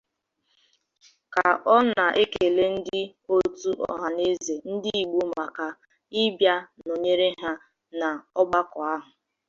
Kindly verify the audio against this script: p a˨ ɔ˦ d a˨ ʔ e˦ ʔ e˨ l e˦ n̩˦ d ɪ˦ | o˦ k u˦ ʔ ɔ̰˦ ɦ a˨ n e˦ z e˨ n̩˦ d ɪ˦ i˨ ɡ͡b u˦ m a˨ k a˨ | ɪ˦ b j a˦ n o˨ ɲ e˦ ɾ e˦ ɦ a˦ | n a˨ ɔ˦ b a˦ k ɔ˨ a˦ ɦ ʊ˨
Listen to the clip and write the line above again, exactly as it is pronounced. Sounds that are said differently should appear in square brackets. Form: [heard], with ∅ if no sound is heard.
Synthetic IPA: [k] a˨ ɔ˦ [n] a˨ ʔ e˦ [k] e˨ l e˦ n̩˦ d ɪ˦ | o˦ [t] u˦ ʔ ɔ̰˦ ɦ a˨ n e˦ z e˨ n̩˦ d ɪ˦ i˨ ɡ͡b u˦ m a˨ k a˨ | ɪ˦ b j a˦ n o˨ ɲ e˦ ɾ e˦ ɦ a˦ | n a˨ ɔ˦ [ɡ͡b] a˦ k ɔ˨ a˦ ɦ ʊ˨